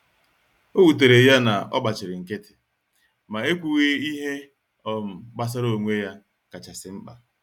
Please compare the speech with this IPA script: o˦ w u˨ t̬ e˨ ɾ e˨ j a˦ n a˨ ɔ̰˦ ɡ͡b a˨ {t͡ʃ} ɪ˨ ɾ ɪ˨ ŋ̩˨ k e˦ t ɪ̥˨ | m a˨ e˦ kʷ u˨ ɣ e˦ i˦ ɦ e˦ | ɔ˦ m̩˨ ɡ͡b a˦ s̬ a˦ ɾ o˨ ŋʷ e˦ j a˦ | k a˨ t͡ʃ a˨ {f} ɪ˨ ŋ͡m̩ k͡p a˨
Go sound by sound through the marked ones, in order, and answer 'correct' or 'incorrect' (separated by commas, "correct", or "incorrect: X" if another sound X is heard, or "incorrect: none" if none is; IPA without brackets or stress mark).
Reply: correct, incorrect: s